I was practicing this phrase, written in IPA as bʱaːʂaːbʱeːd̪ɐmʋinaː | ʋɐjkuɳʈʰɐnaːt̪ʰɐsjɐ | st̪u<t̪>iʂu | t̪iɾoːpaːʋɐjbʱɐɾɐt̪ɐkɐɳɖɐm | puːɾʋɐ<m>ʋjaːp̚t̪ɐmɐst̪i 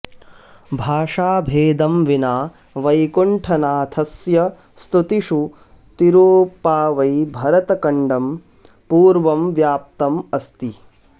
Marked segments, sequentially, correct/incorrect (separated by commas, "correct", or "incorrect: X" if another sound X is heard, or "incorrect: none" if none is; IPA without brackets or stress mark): correct, correct